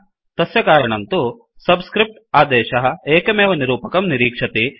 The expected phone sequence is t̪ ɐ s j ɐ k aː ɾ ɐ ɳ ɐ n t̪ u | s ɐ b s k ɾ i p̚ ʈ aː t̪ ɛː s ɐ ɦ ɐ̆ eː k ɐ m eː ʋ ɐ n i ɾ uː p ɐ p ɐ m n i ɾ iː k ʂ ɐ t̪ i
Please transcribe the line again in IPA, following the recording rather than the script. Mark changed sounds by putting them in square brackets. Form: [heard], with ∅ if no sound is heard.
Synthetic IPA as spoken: t̪ ɐ s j ɐ k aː ɾ ɐ ɳ ɐ n t̪ u | s ɐ b s k ɾ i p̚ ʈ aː [d̪] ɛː [ʃ] ɐ ɦ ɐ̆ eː k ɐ m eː ʋ ɐ n i ɾ uː p ɐ [k] ɐ m n i ɾ iː k ʂ ɐ t̪ i